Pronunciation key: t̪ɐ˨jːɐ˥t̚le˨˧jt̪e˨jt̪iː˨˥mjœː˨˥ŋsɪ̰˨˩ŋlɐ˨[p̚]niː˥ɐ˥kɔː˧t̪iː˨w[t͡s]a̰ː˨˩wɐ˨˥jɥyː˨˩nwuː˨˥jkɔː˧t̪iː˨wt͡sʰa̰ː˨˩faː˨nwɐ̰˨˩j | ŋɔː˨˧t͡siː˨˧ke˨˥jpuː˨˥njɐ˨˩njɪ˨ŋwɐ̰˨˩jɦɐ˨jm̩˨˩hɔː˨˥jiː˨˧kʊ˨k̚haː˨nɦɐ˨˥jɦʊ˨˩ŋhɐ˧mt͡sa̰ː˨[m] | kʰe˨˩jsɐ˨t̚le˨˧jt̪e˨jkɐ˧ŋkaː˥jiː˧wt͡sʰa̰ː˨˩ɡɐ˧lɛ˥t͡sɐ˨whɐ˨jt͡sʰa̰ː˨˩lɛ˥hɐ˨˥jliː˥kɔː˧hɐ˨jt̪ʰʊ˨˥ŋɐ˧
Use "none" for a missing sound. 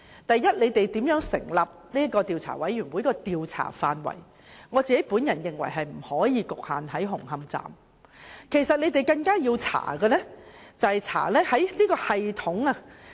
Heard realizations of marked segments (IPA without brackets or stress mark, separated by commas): p̚, t͡sʰ, m